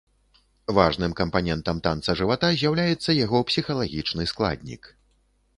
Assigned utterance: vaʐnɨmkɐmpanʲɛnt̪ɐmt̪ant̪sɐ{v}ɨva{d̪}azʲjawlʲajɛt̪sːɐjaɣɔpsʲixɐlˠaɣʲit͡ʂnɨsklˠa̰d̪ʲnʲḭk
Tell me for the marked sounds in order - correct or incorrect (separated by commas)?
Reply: incorrect, incorrect